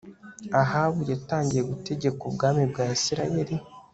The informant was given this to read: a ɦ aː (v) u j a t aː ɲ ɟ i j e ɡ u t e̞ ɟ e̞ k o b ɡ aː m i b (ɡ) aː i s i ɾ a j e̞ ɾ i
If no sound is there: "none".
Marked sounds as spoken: β, ɡ

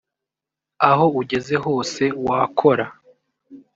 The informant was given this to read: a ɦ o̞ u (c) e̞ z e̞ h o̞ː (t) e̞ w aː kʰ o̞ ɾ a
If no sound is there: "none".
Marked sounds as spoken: ɟ, s

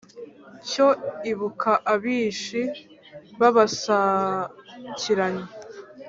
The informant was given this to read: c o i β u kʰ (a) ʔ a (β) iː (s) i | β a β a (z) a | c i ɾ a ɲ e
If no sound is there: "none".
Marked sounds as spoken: a, β, ʃ, s

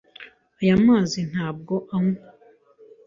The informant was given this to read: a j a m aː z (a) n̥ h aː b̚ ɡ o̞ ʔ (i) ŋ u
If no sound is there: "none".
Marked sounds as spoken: i, a

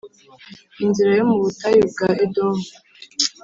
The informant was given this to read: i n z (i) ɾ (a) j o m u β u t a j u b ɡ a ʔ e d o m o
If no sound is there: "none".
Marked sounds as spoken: i, a

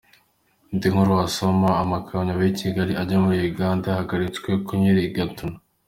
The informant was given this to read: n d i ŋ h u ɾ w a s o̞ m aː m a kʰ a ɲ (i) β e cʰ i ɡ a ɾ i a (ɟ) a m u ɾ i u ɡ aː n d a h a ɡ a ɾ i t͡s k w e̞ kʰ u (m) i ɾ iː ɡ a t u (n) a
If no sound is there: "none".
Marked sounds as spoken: a, ɟ, ɲ, n

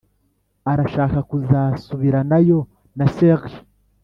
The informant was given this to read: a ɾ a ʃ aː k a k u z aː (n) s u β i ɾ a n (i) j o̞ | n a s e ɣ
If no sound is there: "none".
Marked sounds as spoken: none, a

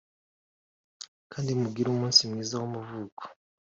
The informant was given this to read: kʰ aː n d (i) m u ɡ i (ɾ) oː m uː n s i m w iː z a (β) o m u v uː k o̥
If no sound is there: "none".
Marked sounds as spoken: i, ɾ, w

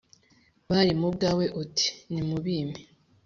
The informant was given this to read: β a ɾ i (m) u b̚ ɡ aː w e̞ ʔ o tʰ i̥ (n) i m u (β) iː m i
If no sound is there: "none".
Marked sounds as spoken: m, n, β

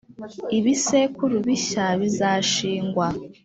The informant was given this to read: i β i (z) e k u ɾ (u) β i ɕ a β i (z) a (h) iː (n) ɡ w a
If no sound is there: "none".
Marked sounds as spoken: s, u, z, ʃ, ŋ

